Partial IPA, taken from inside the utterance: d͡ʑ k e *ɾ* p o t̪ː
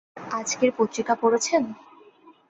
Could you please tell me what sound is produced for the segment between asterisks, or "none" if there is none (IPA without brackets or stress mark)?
ɾ